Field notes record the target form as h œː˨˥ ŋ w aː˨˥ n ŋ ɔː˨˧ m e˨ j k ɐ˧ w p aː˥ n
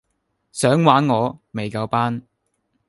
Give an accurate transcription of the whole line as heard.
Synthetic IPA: s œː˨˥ ŋ w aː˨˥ n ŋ ɔː˨˧ m e˨ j k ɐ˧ w p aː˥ n